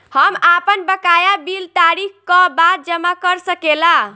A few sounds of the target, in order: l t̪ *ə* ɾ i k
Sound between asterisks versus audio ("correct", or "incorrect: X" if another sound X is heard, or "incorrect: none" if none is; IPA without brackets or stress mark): incorrect: a